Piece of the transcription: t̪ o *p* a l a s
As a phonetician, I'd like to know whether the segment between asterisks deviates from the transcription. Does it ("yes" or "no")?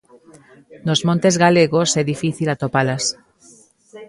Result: no